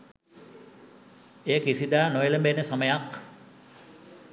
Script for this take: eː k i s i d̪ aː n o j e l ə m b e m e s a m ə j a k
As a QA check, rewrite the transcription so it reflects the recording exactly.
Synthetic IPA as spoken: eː k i s i d̪ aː n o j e l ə m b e n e s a m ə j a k

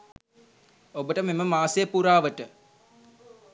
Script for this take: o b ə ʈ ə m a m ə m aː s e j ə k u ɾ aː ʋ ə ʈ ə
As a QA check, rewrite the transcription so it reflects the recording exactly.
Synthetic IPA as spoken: o b ə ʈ ə m e m ə m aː s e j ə p u ɾ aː ʋ ə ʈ ə

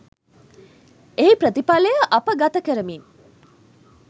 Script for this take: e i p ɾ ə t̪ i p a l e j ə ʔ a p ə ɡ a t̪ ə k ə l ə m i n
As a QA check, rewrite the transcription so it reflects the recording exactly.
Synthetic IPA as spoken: e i p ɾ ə t̪ i p a l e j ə ʔ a p ə ɡ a t̪ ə k ə ɾ ə m i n

